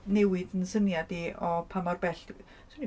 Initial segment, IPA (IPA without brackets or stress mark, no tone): n